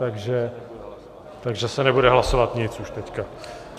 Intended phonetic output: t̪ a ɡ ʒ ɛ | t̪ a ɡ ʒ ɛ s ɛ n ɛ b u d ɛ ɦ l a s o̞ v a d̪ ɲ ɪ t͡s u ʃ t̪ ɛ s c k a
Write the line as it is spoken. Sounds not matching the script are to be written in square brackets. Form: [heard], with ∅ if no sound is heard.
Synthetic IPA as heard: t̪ a ɡ ʒ ɛ | t̪ a ɡ ʒ ɛ s ɛ n ɛ b u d ɛ ɦ l a s o̞ v a [t̪] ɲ ɪ t͡s u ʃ t̪ ɛ [∅] c k a